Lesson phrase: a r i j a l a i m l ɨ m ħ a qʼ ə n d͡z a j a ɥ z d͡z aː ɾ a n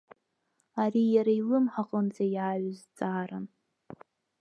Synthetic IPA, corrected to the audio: a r i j a ɾ a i l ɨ m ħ a qʼ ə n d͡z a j a ɥ z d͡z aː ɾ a n